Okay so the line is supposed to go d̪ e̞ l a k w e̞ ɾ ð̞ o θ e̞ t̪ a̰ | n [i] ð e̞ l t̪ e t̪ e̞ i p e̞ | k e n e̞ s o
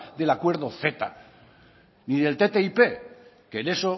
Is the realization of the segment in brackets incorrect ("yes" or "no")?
no